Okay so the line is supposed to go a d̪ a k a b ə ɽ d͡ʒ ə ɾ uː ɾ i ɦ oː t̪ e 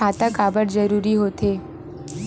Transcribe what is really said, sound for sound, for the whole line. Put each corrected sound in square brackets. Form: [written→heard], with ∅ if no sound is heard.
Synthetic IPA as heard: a [d̪→t̪] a k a b ə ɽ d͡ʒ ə ɾ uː ɾ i ɦ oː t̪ e